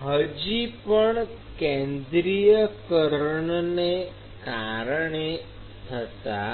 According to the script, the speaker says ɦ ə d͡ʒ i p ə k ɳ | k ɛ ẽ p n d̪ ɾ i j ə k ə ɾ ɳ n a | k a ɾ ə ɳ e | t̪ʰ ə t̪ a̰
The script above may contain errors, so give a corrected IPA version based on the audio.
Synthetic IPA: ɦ ə d͡ʒ i p ə ɳ | k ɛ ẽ n d̪ ɾ i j ə k ə ɾ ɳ n e | k a ɾ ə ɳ e | t̪ʰ ə t̪ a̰